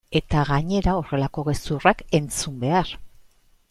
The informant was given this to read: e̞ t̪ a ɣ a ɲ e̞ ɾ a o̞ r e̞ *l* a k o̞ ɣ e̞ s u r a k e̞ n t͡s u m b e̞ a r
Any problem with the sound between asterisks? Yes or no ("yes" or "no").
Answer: no